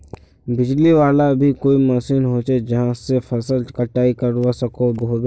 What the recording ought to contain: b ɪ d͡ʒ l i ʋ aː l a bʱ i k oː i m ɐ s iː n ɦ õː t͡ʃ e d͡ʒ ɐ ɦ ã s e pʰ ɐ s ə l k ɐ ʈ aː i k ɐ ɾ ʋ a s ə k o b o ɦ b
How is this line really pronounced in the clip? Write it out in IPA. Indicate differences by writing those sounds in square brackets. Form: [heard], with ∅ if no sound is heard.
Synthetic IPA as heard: b ɪ d͡ʒ l i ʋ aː l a bʱ i k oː i m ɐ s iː n ɦ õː t͡ʃ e d͡ʒ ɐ ɦ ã s e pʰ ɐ s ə l k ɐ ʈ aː i k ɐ ɾ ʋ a s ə k o b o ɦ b